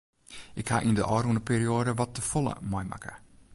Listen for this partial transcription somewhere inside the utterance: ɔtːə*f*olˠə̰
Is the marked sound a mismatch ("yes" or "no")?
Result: no